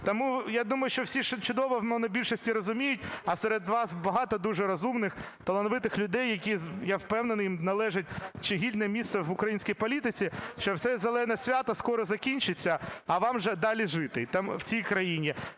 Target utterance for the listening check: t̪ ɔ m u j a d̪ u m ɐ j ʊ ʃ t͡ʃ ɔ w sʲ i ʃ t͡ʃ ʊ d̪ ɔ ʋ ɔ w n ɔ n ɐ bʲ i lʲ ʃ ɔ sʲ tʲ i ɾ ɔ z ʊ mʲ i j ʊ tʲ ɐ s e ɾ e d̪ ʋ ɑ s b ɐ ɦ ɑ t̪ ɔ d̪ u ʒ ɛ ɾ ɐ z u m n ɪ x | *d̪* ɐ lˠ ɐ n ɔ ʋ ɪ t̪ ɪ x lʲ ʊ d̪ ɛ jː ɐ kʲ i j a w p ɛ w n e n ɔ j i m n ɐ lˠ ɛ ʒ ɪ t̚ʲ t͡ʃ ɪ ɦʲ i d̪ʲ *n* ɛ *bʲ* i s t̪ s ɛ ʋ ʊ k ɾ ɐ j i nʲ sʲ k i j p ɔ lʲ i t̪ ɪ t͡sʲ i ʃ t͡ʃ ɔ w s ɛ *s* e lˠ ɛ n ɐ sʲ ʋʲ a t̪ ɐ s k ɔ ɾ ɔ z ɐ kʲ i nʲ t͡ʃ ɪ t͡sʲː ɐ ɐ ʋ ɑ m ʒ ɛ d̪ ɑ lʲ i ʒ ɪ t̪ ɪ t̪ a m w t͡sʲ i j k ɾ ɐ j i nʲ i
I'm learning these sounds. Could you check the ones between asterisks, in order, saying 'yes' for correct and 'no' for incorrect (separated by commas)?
no, yes, no, no